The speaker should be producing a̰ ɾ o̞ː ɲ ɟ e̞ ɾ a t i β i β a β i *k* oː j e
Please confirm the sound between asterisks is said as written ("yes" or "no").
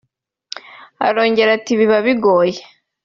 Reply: no